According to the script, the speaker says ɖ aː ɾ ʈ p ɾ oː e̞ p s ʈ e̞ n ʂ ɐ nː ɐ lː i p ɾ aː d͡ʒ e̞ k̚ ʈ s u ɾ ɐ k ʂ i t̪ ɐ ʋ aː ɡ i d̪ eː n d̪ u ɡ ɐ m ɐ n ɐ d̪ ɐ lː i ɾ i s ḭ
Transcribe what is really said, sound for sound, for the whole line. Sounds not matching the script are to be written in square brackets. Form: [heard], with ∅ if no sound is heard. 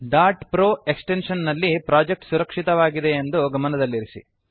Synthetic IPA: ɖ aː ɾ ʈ p ɾ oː e̞ [k] s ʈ e̞ n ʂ ɐ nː ɐ lː i p ɾ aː d͡ʒ e̞ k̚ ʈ s u ɾ ɐ k ʂ i t̪ ɐ ʋ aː ɡ i d̪ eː n d̪ u ɡ ɐ m ɐ n ɐ d̪ ɐ lː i ɾ i s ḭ